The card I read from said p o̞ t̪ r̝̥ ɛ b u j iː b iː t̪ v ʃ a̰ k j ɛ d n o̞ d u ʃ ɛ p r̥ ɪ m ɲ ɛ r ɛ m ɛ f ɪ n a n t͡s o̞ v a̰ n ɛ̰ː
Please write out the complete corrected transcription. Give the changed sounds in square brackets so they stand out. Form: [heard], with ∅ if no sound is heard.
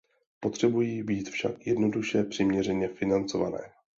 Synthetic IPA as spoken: p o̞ t̪ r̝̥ ɛ b u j iː b iː t̪ [f] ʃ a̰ k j ɛ d n o̞ d u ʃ ɛ p r̥ ɪ m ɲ ɛ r ɛ [ɲ] ɛ f ɪ n a n t͡s o̞ v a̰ n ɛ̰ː